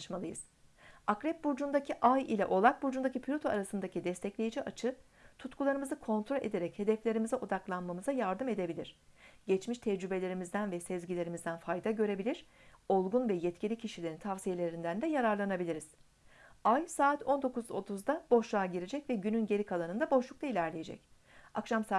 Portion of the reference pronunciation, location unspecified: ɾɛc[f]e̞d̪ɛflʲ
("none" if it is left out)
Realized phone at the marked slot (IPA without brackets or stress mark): h